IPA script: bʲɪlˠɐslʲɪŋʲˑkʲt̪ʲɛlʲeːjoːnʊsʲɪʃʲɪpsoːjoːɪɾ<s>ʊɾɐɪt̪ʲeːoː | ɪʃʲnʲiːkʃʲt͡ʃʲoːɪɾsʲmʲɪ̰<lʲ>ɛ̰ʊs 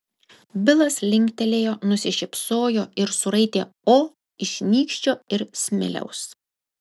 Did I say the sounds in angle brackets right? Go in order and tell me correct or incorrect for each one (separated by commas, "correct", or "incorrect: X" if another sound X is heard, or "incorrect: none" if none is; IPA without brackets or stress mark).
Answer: correct, correct